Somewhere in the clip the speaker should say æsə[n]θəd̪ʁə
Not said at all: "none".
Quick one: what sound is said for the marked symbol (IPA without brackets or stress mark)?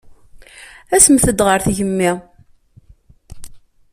m